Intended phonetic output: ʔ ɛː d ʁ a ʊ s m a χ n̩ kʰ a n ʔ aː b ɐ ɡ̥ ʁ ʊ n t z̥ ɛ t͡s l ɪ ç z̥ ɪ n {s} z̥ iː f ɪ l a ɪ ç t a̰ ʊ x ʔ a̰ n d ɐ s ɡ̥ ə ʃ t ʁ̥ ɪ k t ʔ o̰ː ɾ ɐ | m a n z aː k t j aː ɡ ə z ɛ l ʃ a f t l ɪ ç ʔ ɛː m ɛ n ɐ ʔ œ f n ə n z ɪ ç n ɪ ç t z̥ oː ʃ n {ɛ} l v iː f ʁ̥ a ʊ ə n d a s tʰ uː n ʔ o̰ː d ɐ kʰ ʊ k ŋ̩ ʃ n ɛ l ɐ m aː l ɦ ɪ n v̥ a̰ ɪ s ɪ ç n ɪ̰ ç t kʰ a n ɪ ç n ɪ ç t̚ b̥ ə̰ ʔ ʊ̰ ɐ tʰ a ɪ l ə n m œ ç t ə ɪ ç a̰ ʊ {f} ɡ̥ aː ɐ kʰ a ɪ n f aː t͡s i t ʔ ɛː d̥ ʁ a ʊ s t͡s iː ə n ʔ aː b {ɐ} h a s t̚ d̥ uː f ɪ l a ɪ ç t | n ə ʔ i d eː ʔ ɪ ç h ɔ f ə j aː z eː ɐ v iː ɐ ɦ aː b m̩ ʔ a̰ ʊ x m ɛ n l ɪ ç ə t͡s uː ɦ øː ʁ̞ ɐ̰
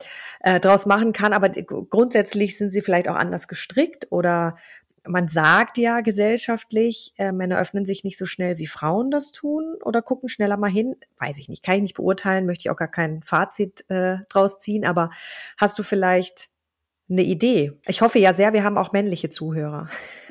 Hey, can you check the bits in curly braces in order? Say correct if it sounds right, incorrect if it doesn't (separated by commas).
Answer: incorrect, correct, incorrect, correct